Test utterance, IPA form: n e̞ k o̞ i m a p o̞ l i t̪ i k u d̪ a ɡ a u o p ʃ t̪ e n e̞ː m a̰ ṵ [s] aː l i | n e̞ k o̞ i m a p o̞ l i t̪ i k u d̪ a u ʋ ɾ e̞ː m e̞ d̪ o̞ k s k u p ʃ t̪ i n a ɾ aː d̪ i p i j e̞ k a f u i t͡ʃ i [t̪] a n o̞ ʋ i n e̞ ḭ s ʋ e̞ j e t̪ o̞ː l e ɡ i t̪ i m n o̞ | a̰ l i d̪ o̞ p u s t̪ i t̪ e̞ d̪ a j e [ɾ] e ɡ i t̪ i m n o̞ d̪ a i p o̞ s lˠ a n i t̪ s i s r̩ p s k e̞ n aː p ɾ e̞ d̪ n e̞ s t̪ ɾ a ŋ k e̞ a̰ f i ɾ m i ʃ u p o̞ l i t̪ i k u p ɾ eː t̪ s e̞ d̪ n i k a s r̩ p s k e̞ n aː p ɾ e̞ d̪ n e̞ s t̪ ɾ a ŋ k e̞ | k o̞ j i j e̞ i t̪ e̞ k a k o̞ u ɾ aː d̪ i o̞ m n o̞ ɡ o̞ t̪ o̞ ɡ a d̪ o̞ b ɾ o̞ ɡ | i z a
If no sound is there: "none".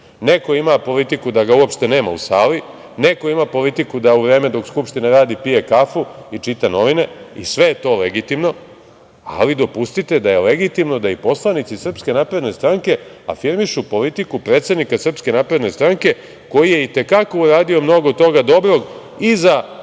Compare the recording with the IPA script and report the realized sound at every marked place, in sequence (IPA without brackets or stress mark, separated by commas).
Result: s, t̪, l